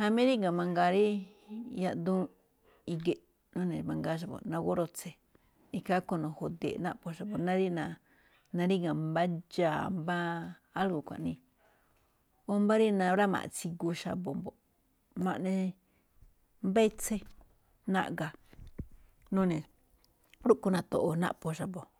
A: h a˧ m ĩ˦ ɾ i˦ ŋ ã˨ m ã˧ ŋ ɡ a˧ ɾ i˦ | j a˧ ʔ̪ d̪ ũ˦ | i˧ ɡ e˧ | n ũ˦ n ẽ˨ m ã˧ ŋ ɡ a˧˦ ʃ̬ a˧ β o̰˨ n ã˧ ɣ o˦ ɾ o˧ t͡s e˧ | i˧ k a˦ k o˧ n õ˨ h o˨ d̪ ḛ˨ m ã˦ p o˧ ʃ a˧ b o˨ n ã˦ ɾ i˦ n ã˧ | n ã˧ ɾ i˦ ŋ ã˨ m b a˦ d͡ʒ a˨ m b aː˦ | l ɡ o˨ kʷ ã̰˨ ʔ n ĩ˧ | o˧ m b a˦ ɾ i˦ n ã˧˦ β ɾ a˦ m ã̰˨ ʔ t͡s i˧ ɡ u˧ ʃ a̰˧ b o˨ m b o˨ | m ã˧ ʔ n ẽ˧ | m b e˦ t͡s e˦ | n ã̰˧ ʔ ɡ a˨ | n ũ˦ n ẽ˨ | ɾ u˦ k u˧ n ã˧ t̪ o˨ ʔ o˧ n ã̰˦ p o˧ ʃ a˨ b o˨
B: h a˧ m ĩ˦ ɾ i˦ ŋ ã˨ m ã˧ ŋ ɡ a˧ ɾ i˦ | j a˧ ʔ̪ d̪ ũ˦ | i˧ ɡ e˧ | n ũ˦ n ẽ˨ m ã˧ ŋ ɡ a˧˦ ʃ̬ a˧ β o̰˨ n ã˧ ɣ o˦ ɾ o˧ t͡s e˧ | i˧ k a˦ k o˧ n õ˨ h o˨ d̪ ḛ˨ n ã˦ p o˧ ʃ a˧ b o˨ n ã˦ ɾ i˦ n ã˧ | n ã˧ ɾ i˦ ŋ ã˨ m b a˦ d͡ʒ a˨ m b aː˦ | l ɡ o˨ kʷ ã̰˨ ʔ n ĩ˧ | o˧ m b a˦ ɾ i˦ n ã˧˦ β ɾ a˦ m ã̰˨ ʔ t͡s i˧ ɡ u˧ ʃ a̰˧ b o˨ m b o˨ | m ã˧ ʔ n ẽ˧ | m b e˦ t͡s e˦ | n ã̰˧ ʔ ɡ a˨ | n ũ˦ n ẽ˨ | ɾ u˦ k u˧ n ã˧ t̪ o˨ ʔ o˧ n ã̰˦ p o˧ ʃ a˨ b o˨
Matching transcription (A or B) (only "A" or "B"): B